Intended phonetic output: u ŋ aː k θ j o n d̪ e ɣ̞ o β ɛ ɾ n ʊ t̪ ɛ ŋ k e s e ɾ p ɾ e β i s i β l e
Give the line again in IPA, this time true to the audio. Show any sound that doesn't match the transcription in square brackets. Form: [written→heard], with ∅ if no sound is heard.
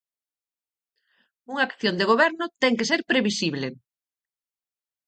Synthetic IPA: u ŋ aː k θ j o n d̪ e ɣ̞ o β ɛ ɾ n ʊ t̪ ɛ ŋ k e s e ɾ p ɾ e β i s i β l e